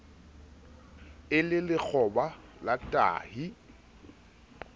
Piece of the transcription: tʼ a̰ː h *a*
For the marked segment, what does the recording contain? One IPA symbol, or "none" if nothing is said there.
i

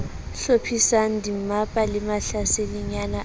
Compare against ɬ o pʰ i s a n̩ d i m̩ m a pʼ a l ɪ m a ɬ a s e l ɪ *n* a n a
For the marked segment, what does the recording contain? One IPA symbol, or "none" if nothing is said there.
ɲ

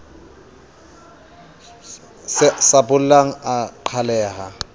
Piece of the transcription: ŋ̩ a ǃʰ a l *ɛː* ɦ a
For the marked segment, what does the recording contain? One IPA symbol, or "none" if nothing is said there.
ɛː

